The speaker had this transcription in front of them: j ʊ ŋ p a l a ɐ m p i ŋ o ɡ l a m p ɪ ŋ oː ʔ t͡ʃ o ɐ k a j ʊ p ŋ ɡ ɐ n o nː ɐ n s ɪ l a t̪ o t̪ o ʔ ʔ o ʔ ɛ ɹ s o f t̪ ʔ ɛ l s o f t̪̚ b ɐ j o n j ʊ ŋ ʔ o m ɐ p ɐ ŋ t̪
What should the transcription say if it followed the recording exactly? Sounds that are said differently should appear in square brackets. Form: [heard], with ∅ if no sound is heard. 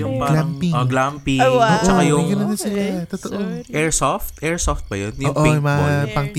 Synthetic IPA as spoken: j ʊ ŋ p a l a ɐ m p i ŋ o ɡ l a m p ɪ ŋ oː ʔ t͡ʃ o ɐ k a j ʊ [∅] ŋ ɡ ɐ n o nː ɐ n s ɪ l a t̪ o t̪ o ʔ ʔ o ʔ ɛ ɹ s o f t̪ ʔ ɛ [ɹ] s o f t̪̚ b ɐ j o n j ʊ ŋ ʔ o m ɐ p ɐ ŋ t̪